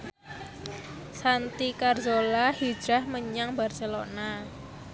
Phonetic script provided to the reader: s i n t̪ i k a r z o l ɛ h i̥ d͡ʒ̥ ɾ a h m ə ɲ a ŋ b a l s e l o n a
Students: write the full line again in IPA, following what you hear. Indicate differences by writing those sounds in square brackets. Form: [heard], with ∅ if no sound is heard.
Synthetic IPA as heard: s [a] n t̪ i k a r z o l [a] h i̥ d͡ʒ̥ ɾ a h m ə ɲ a ŋ b a [r] s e l o n a